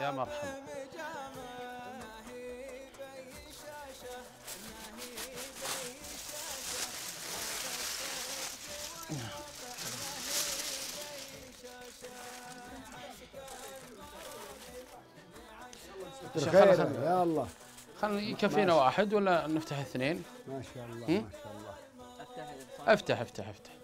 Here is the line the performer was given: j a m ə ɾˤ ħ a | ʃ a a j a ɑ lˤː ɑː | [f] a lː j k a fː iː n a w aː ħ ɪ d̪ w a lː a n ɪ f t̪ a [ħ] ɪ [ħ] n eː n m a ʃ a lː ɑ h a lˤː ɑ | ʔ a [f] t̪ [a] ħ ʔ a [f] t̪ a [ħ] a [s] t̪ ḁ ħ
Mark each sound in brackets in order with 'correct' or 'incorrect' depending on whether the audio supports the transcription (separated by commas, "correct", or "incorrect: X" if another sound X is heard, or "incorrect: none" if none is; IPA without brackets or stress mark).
incorrect: x, correct, incorrect: θ, correct, correct, correct, correct, incorrect: f